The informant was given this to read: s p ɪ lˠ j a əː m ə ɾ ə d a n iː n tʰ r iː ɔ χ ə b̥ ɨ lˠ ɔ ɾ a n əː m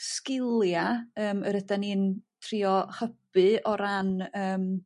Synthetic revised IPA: s k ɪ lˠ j a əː m ə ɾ ə d a n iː n tʰ r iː ɔ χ ə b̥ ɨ ɔ ɾ a n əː m